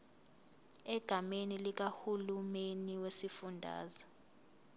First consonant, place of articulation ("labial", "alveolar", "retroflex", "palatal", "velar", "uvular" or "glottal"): velar